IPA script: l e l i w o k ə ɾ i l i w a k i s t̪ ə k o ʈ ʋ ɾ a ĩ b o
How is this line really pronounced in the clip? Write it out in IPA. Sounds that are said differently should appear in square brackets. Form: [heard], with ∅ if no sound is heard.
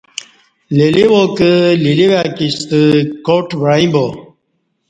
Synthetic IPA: l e l i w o k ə [l] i l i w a k i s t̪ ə k o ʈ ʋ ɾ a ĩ b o